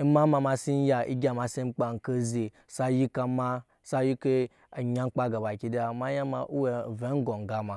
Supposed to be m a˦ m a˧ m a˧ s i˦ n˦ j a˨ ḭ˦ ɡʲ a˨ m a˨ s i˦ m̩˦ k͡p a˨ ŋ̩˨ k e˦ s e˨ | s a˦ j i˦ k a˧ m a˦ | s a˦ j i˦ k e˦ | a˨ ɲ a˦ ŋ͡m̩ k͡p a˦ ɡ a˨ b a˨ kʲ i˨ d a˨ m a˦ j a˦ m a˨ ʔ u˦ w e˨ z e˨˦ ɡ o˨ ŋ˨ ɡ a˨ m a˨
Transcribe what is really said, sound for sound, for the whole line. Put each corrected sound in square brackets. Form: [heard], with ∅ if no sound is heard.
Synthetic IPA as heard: m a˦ m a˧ m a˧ s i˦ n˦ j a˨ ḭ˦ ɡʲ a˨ m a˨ s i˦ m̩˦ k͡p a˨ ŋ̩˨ k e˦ [z] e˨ | s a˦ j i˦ k a˧ m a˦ | s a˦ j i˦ k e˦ | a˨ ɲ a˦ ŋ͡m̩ k͡p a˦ ɡ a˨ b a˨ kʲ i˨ d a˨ m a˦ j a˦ m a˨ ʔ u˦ w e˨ [v] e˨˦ ɡ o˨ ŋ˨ ɡ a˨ m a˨